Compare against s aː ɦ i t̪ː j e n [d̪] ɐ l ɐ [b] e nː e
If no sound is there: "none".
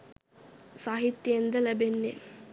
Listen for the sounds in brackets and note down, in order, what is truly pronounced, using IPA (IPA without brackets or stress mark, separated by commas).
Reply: d̪, b